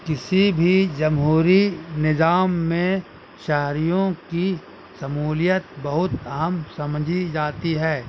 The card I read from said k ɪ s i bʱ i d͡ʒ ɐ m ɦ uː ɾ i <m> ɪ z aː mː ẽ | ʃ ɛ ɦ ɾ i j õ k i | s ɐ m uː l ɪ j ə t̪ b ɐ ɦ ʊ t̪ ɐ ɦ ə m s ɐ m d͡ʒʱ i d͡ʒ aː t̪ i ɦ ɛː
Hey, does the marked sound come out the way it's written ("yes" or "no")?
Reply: no